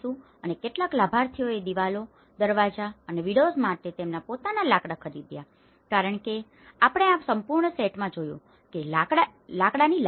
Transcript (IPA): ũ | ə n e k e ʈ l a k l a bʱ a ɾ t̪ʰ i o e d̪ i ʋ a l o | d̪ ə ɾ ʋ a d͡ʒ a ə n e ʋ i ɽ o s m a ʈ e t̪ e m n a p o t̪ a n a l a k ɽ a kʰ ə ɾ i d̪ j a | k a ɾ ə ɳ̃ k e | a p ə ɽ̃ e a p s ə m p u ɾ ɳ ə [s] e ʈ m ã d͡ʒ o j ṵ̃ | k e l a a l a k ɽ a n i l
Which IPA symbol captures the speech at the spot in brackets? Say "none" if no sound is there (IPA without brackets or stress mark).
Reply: s